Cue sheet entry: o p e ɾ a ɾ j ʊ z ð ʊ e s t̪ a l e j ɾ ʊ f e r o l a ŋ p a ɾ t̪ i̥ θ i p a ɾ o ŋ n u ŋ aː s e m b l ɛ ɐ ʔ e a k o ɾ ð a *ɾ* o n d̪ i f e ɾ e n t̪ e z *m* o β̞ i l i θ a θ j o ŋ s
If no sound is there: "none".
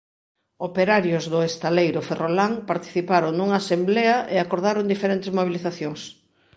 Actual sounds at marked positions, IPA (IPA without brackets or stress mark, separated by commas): ɾ, m